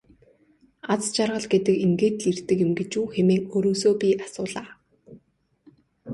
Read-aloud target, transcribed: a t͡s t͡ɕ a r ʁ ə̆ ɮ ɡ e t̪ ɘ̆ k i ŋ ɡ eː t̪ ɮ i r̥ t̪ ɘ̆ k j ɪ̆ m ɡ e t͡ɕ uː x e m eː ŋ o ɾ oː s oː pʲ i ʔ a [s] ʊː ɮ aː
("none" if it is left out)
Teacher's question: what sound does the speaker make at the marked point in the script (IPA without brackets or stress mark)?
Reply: s